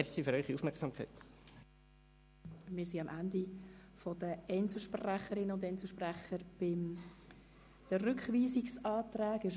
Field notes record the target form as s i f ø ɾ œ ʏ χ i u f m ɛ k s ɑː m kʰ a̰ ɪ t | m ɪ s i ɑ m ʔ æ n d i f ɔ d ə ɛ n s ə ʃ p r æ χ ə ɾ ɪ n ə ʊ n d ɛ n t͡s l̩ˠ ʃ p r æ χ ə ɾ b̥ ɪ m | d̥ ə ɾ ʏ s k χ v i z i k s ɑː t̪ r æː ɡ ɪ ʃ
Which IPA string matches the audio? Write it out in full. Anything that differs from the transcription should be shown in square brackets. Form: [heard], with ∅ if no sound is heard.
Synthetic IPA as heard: s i f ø ɾ œ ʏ χ i u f m ɛ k s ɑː m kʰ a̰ ɪ t | m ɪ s i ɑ m ʔ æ n d i f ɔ d ə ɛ n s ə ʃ p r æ χ ə ɾ ɪ n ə ʊ n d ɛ n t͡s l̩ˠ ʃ p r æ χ ə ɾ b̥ ɪ m | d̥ ə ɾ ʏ [∅] k χ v [iː] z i k s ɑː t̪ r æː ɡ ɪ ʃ